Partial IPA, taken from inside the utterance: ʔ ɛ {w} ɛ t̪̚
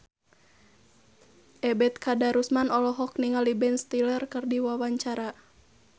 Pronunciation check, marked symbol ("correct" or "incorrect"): incorrect